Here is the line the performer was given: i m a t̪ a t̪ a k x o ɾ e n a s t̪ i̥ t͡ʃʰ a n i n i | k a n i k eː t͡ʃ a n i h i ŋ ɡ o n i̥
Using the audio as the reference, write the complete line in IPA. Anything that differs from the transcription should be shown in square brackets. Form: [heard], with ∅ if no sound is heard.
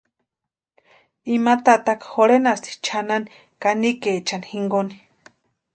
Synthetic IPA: i m a t̪ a t̪ a k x o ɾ e n a s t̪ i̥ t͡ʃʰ a n [a] n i | k a n i k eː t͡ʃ a n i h i ŋ ɡ o n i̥